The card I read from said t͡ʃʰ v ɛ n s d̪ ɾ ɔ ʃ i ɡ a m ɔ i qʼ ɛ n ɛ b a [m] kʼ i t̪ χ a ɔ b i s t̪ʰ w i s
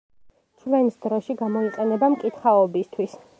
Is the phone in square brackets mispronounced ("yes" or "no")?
no